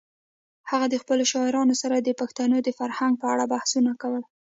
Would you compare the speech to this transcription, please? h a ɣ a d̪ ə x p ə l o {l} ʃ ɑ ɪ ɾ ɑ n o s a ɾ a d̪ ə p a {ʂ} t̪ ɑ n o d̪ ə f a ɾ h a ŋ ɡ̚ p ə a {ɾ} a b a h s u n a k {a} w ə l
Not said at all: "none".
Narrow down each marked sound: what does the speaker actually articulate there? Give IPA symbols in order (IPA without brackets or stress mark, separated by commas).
none, x, ɽ, a